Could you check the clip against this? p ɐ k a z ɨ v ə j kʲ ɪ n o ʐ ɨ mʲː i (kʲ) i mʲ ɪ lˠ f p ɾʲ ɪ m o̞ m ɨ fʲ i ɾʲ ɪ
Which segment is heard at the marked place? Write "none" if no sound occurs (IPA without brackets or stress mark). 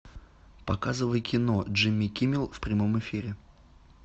kʲ